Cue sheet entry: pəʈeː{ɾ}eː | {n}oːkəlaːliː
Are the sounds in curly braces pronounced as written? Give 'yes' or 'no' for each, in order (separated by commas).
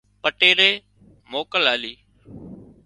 yes, no